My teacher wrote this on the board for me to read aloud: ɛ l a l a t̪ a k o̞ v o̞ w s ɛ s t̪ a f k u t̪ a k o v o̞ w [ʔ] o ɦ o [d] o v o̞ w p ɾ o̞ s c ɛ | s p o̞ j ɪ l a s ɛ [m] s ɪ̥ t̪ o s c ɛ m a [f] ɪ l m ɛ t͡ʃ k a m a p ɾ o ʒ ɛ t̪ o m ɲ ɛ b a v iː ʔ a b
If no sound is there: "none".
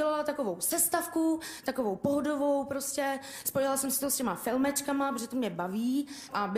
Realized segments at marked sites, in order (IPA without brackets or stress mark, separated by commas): p, d, m, f